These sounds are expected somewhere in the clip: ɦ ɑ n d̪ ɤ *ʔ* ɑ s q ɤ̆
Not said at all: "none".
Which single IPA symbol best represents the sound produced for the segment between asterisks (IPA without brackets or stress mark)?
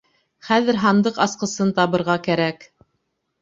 q